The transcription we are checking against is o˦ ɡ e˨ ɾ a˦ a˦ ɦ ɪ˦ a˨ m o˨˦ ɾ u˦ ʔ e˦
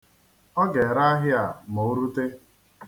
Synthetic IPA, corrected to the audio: ɔ˦ ɡ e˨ ɾ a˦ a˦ ɦ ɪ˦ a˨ m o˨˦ ɾ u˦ t e˦